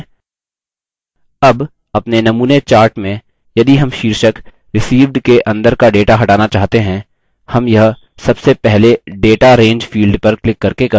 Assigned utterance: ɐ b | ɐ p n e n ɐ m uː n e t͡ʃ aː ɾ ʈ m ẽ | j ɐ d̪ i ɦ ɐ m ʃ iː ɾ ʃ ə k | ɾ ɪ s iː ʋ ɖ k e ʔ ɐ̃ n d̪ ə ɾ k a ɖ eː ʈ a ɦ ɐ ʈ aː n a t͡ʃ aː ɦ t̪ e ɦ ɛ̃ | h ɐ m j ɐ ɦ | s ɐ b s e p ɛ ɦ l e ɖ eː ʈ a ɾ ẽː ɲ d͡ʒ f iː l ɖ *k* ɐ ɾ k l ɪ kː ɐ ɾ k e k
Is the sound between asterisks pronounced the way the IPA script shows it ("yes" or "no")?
no